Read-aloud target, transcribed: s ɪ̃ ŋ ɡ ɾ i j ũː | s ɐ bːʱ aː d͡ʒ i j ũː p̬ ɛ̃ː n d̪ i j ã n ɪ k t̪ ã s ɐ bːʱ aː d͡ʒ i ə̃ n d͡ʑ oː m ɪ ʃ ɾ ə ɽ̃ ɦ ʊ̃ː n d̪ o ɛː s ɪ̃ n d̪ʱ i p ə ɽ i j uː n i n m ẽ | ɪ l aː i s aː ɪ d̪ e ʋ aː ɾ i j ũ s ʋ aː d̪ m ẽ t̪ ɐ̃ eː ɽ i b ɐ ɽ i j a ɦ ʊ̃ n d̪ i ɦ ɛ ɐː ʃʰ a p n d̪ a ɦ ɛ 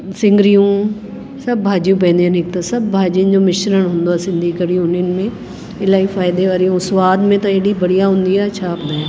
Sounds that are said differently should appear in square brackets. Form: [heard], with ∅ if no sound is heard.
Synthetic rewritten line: s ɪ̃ ŋ ɡ ɾ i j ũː | s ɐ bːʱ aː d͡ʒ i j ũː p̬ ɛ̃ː n d̪ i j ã n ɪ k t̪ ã s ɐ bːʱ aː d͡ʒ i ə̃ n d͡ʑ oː m ɪ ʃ ɾ ə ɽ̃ ɦ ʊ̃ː n d̪ o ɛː s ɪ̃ n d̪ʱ i [k] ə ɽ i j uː n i n m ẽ | ɪ l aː i [f] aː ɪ d̪ e ʋ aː ɾ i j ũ s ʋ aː d̪ m ẽ t̪ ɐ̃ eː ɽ i b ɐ ɽ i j a ɦ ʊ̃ n d̪ i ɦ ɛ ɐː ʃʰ a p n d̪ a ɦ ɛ

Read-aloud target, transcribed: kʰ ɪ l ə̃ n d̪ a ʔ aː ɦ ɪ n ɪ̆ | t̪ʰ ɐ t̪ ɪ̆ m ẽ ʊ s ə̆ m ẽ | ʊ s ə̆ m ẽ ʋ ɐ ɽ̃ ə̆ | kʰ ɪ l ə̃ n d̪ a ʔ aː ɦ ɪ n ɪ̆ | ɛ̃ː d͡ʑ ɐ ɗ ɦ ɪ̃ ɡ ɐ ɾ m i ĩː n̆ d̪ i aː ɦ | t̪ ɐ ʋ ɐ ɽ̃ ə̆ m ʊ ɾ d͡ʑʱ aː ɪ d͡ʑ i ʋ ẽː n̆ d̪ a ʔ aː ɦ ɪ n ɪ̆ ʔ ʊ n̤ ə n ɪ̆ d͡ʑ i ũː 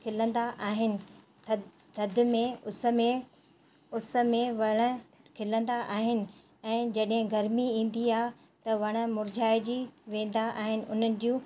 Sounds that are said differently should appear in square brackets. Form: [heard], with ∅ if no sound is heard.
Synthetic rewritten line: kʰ ɪ l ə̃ n d̪ a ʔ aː ɦ ɪ n ɪ̆ | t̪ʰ ɐ [d̪] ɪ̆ m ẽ ʊ s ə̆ m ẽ | ʊ s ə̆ m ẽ ʋ ɐ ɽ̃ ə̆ | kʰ ɪ l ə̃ n d̪ a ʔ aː ɦ ɪ n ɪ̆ | ɛ̃ː d͡ʑ ɐ ɗ ɦ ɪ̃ ɡ ɐ ɾ m i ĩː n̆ d̪ i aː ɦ | t̪ ɐ ʋ ɐ ɽ̃ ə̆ m ʊ ɾ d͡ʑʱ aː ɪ d͡ʑ i ʋ ẽː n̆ d̪ a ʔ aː ɦ ɪ n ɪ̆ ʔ ʊ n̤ ə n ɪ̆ d͡ʑ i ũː

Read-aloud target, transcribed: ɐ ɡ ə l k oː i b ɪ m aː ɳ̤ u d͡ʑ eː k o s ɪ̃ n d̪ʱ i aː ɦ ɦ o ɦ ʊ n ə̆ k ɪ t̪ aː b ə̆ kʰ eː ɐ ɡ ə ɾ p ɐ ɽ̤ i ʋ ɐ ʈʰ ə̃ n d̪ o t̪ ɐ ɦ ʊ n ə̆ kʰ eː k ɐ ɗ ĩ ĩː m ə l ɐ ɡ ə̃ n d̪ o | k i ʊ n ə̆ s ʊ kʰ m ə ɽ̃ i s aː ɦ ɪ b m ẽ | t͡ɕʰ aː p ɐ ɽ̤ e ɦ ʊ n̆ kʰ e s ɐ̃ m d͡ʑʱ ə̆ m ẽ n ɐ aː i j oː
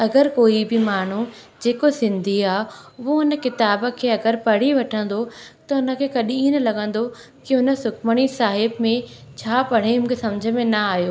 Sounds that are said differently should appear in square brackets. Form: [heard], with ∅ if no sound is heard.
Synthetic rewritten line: ɐ ɡ ə [ɾ] k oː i b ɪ m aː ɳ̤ u d͡ʑ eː k o s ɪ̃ n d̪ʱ i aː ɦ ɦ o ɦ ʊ n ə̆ k ɪ t̪ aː b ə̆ kʰ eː ɐ ɡ ə ɾ p ɐ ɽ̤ i ʋ ɐ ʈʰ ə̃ n d̪ o t̪ ɐ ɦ ʊ n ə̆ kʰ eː k ɐ ɗ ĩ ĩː [n] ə l ɐ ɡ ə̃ n d̪ o | k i ʊ n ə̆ s ʊ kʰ m ə ɽ̃ i s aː ɦ ɪ b m ẽ | t͡ɕʰ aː p ɐ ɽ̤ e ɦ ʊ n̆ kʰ e s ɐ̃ m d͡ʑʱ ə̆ m ẽ n ɐ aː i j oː

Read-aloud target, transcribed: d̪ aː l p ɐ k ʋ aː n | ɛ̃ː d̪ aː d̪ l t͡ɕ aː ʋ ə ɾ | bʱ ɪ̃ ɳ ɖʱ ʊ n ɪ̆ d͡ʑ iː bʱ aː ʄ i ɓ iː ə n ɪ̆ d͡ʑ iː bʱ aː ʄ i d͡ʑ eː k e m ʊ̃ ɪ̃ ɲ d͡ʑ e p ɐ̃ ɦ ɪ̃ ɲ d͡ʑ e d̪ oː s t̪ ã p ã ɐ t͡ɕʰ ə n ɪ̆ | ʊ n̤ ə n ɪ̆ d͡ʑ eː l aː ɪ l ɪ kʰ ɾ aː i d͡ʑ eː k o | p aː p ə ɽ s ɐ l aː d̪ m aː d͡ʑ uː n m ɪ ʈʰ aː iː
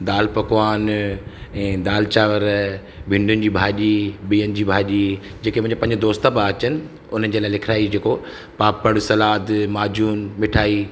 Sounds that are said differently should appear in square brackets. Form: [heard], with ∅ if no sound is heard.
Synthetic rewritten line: d̪ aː l p ɐ k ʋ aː n | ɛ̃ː d̪ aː [∅] l t͡ɕ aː ʋ ə ɾ | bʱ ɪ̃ ɳ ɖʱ ʊ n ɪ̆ d͡ʑ iː bʱ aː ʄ i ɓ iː ə n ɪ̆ d͡ʑ iː bʱ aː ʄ i d͡ʑ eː k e m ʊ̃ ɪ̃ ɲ d͡ʑ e p ɐ̃ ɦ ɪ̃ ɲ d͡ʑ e d̪ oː s t̪ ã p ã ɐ [t͡ɕ] ə n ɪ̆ | ʊ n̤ ə n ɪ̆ d͡ʑ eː l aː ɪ l ɪ kʰ ɾ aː i d͡ʑ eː k o | p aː p ə ɽ s ɐ l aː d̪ m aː d͡ʑ uː n m ɪ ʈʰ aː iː

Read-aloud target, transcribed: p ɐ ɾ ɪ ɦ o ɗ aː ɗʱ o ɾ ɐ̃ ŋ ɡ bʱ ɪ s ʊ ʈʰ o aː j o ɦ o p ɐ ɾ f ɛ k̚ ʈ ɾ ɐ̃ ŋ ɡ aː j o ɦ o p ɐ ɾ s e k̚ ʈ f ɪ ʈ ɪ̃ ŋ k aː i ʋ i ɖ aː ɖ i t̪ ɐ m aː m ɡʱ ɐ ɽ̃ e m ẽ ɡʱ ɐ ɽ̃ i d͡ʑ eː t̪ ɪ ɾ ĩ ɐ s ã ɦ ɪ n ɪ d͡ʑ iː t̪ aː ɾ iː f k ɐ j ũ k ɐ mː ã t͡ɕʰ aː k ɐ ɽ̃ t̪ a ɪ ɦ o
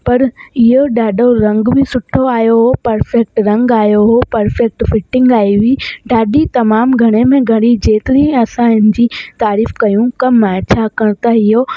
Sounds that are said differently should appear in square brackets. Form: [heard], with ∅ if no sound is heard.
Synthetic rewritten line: p ɐ ɾ ɪ ɦ o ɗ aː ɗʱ o ɾ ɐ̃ ŋ ɡ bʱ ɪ s ʊ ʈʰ o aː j o ɦ o p ɐ ɾ f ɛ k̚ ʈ ɾ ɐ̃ ŋ ɡ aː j o ɦ o p ɐ ɾ [f] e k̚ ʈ f ɪ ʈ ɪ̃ ŋ [ɡ] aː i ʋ i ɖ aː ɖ i t̪ ɐ m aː m ɡʱ ɐ ɽ̃ e m ẽ ɡʱ ɐ ɽ̃ i d͡ʑ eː t̪ ɪ ɾ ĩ ɐ s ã ɦ ɪ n ɪ d͡ʑ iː t̪ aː ɾ iː f k ɐ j ũ k ɐ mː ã t͡ɕʰ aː k ɐ ɽ̃ t̪ a ɪ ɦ o

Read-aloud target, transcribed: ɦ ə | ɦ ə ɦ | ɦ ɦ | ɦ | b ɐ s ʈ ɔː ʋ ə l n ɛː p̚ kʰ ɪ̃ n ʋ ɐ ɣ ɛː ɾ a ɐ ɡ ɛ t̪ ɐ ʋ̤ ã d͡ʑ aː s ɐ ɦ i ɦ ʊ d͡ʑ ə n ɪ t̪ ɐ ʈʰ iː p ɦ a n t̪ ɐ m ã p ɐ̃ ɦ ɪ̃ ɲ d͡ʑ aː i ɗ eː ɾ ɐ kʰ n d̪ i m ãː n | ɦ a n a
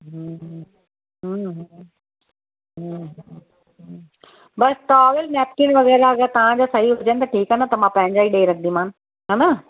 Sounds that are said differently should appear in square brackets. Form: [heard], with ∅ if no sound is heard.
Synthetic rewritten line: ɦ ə | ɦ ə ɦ | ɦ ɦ | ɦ | b ɐ s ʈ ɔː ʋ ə l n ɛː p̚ [k] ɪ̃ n ʋ ɐ ɣ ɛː ɾ a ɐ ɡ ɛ t̪ ɐ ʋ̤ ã d͡ʑ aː s ɐ ɦ i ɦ ʊ d͡ʑ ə n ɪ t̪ ɐ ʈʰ iː [k] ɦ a n t̪ ɐ m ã p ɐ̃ ɦ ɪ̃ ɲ d͡ʑ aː i ɗ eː ɾ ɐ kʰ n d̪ i m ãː n | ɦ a n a

